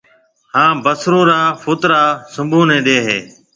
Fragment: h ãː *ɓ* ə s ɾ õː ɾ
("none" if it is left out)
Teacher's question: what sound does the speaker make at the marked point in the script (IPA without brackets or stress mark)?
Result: b